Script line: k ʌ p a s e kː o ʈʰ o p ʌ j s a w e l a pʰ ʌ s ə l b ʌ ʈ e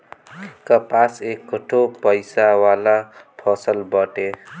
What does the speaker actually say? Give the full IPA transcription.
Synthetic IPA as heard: k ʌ p a s e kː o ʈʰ o p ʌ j s a w a l a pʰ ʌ s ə l b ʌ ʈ e